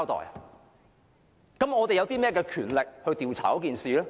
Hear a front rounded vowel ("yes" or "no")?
yes